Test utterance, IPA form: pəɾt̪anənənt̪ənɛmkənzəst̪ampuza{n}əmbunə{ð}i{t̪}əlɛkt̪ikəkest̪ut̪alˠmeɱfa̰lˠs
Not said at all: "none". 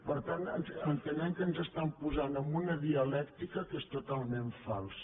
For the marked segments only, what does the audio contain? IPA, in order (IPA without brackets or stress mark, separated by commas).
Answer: n, ð, none